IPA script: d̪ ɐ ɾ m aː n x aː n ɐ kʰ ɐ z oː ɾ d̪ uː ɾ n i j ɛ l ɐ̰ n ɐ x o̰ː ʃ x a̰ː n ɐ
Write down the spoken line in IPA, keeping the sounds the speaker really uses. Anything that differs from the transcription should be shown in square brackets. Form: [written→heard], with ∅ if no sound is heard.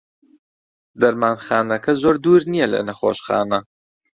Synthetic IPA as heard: d̪ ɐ ɾ m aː n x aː n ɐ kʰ ɐ z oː ɾ d̪ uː ɾ n i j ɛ l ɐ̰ n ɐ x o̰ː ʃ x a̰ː n ɐ